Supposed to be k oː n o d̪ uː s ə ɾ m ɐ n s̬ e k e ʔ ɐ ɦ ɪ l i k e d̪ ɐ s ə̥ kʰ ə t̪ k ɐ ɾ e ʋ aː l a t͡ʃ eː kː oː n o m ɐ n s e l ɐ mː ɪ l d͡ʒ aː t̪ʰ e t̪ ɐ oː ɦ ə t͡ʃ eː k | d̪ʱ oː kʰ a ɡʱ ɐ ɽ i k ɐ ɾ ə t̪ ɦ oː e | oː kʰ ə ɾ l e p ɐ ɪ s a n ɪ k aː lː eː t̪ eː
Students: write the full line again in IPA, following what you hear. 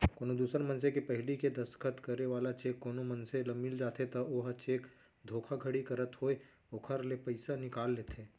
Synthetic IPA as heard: k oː n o d̪ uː s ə ɾ m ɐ n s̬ e k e p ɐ ɦ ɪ l i k e d̪ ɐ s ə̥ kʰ ə t̪ k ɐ ɾ e ʋ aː l a t͡ʃ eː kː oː n o m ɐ n s e l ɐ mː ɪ l d͡ʒ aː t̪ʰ e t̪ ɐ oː ɦ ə t͡ʃ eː k | d̪ʱ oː kʰ a ɡʱ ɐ ɽ i k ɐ ɾ ə t̪ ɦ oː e | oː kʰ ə ɾ l e p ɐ ɪ s a n ɪ k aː lː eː t̪ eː